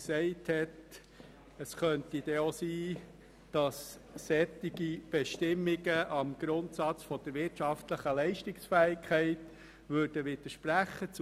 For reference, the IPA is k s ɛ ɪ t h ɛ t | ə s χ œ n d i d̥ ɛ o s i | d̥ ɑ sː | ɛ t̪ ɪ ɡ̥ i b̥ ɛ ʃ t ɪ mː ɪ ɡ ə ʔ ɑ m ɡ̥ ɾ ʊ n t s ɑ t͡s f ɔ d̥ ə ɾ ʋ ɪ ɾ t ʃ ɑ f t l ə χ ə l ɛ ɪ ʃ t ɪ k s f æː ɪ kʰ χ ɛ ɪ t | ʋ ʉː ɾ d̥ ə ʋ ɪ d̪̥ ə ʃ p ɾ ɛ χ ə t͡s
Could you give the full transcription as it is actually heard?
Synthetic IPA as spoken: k s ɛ ɪ t h ɛ t | ə s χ œ n t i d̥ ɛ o s iː | d̥ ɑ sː | ɛ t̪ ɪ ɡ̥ i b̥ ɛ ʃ t ɪ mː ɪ ɡ ə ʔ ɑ m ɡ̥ ɾ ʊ n t s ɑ t͡s f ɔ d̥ ə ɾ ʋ ɪ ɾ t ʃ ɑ f t l ə χ ə l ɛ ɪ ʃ t ɪ k s f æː ɪ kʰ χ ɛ ɪ t | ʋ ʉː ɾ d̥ ə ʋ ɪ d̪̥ ə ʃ p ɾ æ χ ə t͡s